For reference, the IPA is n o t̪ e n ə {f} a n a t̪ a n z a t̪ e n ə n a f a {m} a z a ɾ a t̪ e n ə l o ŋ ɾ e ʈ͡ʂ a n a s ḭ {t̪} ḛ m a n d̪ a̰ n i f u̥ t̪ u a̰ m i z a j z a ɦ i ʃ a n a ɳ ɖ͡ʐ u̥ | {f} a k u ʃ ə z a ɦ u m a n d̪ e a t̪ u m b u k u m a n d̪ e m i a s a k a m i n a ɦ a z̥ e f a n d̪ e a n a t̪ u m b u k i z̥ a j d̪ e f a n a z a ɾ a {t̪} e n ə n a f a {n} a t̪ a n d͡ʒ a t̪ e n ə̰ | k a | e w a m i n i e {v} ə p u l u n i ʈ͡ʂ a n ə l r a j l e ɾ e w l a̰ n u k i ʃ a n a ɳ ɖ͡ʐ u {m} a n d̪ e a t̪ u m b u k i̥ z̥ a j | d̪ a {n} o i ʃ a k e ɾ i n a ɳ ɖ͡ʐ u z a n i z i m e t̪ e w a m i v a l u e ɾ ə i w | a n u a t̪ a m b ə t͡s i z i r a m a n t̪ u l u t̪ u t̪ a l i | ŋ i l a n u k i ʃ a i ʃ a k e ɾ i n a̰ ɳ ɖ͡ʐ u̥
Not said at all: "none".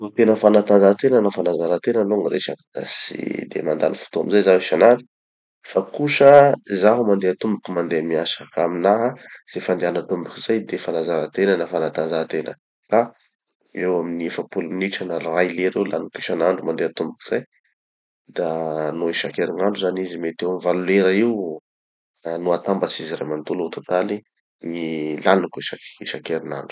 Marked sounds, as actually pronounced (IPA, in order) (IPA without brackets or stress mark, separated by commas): f, n, d̪, f, t̪, n, f, m, n